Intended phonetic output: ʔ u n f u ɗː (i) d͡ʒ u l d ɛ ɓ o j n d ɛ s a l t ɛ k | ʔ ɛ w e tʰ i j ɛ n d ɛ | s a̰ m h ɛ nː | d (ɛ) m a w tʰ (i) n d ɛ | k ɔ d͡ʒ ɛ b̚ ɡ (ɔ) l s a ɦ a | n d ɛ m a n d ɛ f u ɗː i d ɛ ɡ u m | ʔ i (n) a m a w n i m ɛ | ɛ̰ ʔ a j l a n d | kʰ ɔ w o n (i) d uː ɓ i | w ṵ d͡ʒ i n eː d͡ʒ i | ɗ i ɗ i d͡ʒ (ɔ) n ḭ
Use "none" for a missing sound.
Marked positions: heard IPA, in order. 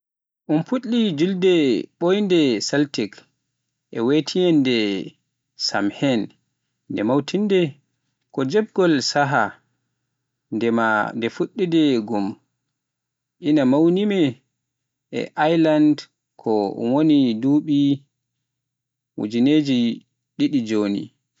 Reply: i, ɛ, i, ɔ, n, i, o

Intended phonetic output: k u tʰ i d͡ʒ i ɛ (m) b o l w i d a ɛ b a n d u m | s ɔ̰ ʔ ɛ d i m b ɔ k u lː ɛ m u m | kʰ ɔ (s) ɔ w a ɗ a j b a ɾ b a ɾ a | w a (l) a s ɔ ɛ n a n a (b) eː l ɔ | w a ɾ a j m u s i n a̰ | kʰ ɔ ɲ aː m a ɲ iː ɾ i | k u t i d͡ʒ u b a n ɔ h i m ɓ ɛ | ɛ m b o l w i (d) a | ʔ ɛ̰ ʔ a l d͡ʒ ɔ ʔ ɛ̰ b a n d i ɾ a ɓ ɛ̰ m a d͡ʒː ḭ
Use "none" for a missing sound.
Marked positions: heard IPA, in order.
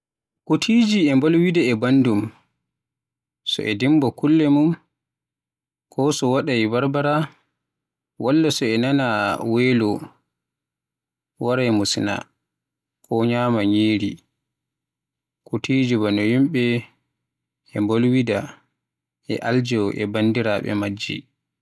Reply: m, s, lː, w, d

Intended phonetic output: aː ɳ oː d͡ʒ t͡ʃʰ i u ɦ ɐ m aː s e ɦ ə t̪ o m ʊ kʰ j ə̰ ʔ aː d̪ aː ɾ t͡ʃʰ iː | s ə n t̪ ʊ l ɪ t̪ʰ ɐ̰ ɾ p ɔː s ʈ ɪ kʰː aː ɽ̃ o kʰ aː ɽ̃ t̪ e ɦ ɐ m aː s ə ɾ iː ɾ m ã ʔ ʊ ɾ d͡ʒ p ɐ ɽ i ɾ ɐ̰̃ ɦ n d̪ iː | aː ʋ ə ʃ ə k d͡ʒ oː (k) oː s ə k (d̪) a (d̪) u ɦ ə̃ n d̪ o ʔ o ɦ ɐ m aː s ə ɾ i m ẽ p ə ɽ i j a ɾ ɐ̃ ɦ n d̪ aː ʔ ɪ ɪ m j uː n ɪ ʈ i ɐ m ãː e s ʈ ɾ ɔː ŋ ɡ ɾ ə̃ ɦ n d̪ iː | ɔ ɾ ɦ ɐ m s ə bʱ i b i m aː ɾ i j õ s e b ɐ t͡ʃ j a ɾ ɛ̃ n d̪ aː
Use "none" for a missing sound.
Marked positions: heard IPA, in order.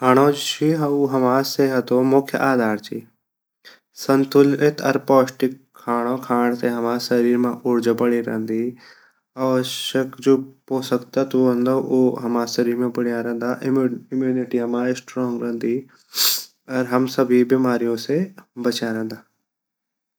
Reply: p, t̪, t̪

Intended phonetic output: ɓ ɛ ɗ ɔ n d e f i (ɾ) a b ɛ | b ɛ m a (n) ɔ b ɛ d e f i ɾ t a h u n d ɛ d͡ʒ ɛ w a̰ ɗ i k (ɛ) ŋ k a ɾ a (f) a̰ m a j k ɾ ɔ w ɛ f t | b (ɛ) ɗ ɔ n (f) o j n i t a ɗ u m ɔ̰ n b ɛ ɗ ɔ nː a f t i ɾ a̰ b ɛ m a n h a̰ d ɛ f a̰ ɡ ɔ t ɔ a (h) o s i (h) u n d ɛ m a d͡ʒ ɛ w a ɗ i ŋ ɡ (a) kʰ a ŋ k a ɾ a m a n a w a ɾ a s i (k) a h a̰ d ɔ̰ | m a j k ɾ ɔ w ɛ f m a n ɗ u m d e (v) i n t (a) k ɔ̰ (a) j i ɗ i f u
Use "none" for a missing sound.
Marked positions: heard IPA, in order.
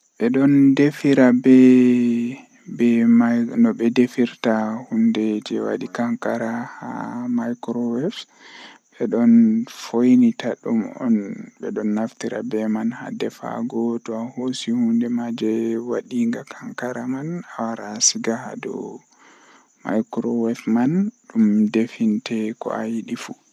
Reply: ɾ, n, a, h, ɛ, f, h, h, a, ɡ, f, ɛ, a

